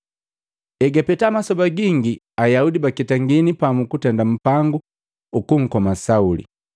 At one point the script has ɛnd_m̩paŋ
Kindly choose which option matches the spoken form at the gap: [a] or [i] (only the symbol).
a